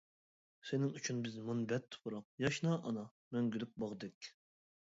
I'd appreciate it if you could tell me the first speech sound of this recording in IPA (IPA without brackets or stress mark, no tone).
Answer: s